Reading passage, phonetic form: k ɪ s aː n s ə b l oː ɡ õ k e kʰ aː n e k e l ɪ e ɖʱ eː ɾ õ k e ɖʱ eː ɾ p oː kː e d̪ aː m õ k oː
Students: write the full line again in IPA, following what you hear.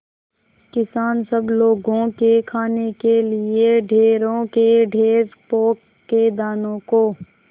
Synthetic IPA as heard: k ɪ s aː n s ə b l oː ɡ õ k e kʰ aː n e k e l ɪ e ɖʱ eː ɾ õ k e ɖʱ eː ɾ p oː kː e d̪ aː n õ k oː